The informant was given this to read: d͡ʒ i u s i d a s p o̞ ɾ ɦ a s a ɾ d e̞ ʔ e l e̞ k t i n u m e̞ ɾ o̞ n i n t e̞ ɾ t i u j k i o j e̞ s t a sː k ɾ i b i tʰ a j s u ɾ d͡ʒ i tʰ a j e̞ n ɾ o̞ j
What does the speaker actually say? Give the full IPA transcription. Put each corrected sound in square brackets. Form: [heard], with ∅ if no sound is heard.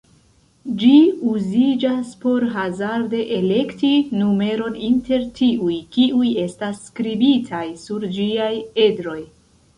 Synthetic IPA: d͡ʒ i u [z] i [d͡ʒ] a s p o̞ ɾ ɦ a [z] a ɾ d e̞ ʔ e l e̞ k t i n u m e̞ ɾ o̞ n i n t e̞ ɾ t i u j k i [u] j e̞ s t a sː k ɾ i b i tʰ a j s u ɾ d͡ʒ i [∅] a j e̞ [d] ɾ o̞ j